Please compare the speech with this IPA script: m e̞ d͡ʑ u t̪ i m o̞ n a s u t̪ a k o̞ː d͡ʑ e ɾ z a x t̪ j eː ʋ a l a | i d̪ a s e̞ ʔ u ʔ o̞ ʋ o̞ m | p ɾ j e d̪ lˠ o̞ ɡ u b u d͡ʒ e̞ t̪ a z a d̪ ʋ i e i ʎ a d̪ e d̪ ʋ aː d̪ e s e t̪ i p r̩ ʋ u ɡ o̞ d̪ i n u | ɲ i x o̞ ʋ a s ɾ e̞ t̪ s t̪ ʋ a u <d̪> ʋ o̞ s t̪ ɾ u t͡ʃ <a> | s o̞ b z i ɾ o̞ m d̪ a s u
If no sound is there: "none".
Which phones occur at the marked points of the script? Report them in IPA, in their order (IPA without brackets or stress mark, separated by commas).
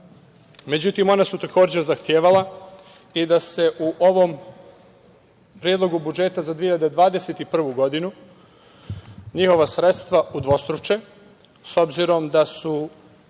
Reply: d̪, e